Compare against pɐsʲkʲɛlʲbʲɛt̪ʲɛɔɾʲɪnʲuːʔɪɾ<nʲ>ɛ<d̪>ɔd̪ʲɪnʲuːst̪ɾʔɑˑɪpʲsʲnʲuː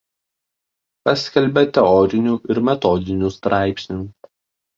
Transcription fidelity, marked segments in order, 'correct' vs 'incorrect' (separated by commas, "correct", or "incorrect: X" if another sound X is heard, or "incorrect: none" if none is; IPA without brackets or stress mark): incorrect: mʲ, incorrect: t̪